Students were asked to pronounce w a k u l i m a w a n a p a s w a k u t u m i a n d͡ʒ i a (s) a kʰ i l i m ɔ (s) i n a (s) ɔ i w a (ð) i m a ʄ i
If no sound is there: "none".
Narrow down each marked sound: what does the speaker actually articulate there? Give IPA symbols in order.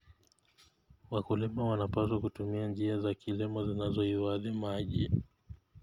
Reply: z, z, z, ð

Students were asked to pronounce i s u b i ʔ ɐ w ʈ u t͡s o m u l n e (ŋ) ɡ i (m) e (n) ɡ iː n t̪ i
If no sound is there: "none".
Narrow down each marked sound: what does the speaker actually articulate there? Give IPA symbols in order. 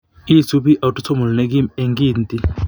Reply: none, m, ŋ

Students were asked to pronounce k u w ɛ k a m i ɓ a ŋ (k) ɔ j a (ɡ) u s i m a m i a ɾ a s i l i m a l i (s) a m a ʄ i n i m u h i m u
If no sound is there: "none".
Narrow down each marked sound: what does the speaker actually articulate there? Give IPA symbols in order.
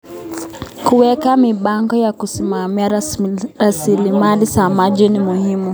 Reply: ɡ, k, s

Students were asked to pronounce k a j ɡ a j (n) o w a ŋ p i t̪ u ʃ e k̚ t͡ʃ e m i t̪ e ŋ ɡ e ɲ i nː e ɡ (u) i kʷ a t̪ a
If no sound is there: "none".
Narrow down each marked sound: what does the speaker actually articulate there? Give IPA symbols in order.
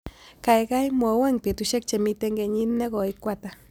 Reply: m, o

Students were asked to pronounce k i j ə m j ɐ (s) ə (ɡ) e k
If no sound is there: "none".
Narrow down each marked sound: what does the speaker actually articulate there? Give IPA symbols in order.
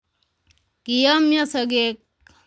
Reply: s, ɡ

